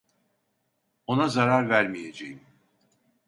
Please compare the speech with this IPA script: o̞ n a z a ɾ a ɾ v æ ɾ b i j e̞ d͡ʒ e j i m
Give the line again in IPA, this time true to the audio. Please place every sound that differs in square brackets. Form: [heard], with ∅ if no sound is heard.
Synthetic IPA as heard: o̞ n a z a ɾ a ɾ v æ ɾ [m] i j e̞ d͡ʒ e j i m